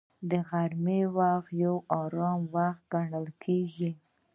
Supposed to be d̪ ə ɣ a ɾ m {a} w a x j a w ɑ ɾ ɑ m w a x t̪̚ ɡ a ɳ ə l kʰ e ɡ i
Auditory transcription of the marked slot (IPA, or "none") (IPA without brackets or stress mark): e